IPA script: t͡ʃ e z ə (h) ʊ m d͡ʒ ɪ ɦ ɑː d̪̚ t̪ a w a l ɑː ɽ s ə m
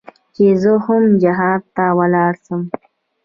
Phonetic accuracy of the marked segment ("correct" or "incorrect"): correct